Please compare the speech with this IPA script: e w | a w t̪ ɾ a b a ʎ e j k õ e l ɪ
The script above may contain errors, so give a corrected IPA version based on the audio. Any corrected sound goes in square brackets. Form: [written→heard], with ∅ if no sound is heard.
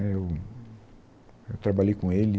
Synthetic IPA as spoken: e w | [a→e] w t̪ ɾ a b a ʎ e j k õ e l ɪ